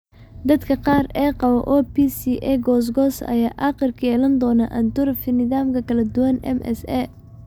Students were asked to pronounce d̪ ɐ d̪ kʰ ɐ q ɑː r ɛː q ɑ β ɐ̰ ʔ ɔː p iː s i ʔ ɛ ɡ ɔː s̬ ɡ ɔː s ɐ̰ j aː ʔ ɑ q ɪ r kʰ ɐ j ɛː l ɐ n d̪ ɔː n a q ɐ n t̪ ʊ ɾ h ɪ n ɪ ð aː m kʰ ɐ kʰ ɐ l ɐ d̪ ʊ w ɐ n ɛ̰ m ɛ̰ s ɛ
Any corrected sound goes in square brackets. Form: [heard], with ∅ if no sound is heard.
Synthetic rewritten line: d̪ ɐ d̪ kʰ ɐ q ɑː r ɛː q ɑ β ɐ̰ ʔ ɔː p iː s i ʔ ɛ ɡ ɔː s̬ ɡ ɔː s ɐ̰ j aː ʔ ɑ q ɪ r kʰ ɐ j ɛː l ɐ n d̪ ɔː n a [ʔ] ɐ n t̪ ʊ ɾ [f] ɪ n ɪ ð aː m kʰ ɐ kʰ ɐ l ɐ d̪ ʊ w ɐ n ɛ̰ m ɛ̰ s ɛ

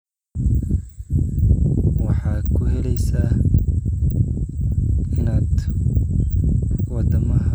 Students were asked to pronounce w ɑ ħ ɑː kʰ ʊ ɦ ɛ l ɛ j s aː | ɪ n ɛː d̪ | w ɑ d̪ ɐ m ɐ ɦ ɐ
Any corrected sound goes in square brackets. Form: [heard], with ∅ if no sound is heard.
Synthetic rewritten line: w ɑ ħ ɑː kʰ ʊ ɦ ɛ l ɛ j s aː | ɪ n [aː] d̪ | w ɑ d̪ ɐ m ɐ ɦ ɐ

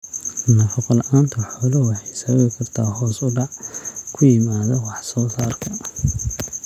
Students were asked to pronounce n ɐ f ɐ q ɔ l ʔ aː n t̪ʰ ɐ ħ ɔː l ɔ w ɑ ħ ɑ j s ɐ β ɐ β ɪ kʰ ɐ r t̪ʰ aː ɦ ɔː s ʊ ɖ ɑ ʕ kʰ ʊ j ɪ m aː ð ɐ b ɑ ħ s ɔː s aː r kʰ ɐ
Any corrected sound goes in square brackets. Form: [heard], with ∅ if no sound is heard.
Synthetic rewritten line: n ɐ f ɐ q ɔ l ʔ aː n t̪ʰ ɐ ħ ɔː l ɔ w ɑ ħ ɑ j s ɐ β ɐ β ɪ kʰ ɐ r t̪ʰ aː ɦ ɔː s ʊ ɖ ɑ ʕ kʰ ʊ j ɪ m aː ð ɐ [w] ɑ ħ s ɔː s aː r kʰ ɐ

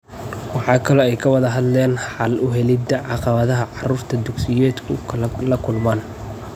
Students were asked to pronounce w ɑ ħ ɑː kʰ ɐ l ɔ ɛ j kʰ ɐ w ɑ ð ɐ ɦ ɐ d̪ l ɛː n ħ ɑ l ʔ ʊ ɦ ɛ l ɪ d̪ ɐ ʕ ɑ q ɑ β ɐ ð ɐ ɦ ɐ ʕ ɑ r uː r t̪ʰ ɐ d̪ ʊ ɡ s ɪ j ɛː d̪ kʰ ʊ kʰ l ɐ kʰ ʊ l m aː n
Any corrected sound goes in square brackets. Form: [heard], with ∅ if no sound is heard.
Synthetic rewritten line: w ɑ ħ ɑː kʰ ɐ l ɔ ɛ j kʰ ɐ w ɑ ð ɐ ɦ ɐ d̪ l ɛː n ħ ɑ l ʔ ʊ ɦ ɛ l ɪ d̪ ɐ ʕ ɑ q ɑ β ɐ ð ɐ ɦ ɐ ʕ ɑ r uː r t̪ʰ ɐ d̪ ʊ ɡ s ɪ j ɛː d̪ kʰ ʊ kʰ l ɐ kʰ ʊ l m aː n

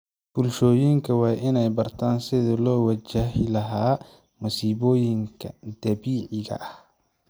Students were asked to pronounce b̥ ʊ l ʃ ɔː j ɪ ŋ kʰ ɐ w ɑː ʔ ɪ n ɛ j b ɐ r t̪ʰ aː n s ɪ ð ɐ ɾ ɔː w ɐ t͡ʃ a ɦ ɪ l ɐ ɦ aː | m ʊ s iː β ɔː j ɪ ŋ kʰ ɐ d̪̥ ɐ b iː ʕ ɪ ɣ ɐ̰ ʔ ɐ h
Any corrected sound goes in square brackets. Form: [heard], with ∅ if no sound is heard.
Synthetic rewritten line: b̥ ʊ l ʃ ɔː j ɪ ŋ kʰ ɐ w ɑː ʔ ɪ n ɛ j b ɐ r t̪ʰ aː n s ɪ ð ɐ [l] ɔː w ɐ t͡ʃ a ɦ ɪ l ɐ ɦ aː | m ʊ s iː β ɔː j ɪ ŋ kʰ ɐ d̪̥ ɐ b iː ʕ ɪ ɣ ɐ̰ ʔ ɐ h

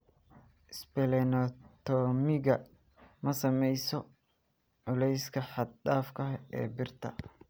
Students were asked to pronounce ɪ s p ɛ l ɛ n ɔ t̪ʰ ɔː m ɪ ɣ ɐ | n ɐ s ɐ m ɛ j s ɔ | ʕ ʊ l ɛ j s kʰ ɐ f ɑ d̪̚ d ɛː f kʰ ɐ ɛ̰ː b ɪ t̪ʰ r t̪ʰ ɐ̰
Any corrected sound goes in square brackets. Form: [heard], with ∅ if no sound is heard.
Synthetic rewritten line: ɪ s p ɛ l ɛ n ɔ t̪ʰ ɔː m ɪ ɣ ɐ | [m] ɐ s ɐ m ɛ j s ɔ | ʕ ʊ l ɛ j s kʰ ɐ [ħ] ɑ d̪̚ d [aː] f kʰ ɐ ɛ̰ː b ɪ [∅] r t̪ʰ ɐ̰

